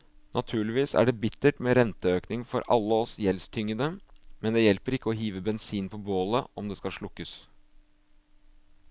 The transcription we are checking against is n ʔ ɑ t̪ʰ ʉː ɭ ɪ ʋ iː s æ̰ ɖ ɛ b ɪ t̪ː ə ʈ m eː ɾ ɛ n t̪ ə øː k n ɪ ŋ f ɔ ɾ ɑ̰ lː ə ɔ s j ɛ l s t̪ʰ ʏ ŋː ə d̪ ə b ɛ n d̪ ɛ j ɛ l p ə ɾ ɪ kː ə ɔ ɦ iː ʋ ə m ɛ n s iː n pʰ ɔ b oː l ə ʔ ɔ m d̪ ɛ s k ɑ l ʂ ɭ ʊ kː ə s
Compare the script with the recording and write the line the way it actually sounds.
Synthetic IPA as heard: n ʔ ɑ t̪ʰ ʉː ɭ ɪ ʋ iː s æ̰ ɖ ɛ b ɪ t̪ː ə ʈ m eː ɾ ɛ n t̪ ə øː k n ɪ ŋ f ɔ ɾ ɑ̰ lː ə ɔ s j ɛ l s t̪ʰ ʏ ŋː ə d̪ ə m ɛ n d̪ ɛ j ɛ l p ə ɾ ɪ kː ə ɔ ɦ iː ʋ ə b ɛ n s iː n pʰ ɔ b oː l ə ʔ ɔ m d̪ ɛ s k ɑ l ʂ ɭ ʊ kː ə s